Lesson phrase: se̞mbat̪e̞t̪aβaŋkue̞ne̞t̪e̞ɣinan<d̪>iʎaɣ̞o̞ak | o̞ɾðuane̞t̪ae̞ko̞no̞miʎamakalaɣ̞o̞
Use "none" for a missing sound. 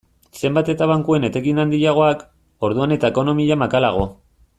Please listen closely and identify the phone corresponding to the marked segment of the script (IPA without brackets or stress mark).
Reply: d̪